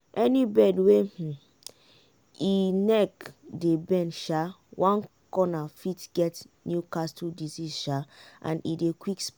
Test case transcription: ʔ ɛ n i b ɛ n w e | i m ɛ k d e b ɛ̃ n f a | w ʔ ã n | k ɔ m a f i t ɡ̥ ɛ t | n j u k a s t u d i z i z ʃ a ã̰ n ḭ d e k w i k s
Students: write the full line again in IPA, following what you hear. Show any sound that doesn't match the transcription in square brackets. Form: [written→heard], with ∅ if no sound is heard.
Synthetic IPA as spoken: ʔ ɛ n i b ɛ [n→d] w e | i [m→n] ɛ k d e b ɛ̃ n [f→ʃ] a | w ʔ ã n | k ɔ [m→n] a f i t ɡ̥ ɛ t | n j u k a s t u d i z i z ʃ a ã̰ n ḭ d e k w i k s